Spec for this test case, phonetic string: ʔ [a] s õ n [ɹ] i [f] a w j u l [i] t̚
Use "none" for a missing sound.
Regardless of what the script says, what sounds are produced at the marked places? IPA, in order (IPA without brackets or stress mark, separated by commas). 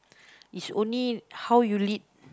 i, l, h, i